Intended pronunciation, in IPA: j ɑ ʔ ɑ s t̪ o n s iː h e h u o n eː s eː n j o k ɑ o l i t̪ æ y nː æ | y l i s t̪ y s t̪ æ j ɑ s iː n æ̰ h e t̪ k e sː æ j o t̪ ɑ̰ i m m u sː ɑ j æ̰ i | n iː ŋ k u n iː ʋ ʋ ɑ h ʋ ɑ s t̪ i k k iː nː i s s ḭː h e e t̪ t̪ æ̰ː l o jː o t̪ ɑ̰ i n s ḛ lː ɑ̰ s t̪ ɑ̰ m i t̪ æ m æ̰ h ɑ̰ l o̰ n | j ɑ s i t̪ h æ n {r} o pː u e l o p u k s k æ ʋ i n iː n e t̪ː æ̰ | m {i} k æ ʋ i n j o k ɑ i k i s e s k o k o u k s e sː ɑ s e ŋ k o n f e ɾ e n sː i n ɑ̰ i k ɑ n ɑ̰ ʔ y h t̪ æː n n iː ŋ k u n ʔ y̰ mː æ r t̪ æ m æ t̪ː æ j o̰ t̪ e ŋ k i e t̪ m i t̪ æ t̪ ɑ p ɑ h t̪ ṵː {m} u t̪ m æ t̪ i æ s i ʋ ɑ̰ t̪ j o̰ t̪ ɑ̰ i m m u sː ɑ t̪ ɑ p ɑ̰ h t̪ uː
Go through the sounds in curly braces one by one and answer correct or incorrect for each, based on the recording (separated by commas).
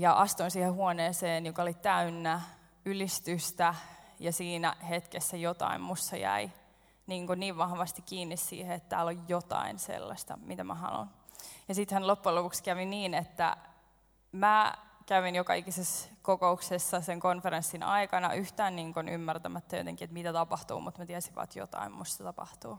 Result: incorrect, incorrect, correct